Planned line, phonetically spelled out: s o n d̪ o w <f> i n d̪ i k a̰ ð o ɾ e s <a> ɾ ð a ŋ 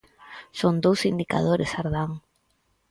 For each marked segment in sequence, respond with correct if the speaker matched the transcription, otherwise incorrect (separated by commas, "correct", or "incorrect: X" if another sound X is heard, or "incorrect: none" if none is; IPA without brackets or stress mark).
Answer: incorrect: s, correct